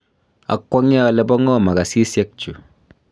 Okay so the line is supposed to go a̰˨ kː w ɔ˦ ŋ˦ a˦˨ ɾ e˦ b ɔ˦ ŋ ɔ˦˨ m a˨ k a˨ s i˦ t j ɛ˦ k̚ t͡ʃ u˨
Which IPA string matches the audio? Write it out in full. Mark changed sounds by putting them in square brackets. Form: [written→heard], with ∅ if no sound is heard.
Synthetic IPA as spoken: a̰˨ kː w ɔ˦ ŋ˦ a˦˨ [ɾ→l] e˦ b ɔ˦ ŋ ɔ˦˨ m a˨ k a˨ s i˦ [t→s] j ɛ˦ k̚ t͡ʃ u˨

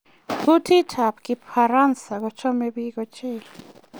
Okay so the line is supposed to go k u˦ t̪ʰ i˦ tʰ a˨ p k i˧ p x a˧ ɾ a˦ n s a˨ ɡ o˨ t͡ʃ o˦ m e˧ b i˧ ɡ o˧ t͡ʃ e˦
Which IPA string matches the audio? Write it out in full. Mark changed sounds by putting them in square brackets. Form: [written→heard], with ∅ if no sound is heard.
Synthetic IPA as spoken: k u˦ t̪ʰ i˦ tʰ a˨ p k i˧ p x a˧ ɾ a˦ n s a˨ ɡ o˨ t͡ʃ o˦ m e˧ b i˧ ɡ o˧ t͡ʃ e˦

